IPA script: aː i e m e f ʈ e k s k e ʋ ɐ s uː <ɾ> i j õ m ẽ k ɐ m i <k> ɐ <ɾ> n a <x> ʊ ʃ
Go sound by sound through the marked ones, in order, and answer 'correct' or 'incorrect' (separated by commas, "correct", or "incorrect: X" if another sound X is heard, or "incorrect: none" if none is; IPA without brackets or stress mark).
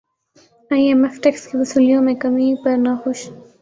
incorrect: l, incorrect: p, correct, correct